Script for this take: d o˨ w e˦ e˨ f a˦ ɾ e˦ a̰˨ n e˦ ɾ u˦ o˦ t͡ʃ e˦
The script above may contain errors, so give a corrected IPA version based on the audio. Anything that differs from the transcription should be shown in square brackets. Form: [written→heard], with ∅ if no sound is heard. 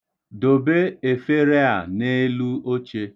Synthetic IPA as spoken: d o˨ [w→b] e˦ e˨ f [a˦→e˦] ɾ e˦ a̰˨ n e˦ [ɾ→l] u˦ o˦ t͡ʃ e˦